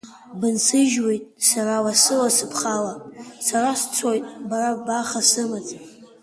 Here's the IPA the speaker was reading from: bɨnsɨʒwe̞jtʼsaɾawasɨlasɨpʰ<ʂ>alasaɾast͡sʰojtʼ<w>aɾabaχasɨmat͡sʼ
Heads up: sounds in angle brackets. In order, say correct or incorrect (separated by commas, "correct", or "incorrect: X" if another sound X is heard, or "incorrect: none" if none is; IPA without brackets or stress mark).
incorrect: χ, incorrect: b